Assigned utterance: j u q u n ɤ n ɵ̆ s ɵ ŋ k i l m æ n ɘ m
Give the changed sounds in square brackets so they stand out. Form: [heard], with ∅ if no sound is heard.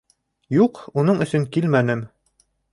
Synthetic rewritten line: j u q u n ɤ [ɴ] ɵ̆ s ɵ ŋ k i l m æ n ɘ m